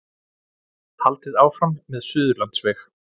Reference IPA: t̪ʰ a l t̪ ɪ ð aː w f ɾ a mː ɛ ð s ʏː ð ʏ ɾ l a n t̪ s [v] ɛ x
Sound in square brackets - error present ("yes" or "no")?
no